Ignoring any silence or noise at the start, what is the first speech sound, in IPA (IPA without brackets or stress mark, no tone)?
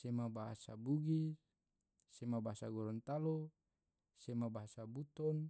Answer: s